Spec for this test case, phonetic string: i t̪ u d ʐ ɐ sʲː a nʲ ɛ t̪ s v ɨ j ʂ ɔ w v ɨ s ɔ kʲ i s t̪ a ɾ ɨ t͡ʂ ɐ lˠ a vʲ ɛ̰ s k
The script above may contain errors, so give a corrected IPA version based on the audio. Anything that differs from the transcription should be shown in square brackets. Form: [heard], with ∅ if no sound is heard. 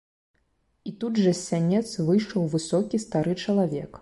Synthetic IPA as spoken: i t̪ u d ʐ ɐ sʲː a nʲ ɛ t̪ s v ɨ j ʂ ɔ w v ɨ s ɔ kʲ i s t̪ a ɾ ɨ t͡ʂ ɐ lˠ a vʲ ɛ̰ [∅] k